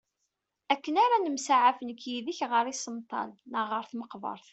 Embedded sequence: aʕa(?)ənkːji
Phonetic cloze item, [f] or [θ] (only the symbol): f